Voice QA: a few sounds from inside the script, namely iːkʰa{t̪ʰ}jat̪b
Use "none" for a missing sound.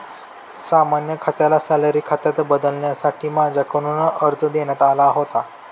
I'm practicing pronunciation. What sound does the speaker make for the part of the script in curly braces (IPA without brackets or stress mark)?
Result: t̪